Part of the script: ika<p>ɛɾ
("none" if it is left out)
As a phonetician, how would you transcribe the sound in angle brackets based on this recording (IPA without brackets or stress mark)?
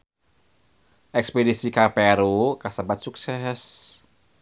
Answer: p